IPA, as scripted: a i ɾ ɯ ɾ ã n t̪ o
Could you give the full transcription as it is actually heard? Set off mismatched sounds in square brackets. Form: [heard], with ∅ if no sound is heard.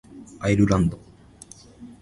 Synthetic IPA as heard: a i ɾ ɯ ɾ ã n [d̪] o